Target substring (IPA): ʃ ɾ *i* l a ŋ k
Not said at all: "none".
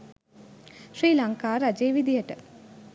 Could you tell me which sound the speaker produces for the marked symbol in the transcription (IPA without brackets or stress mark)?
iː